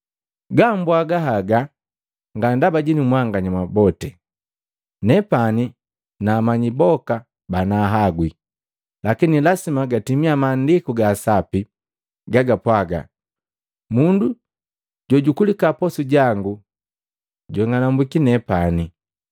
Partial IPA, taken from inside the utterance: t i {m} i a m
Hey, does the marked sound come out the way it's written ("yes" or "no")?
yes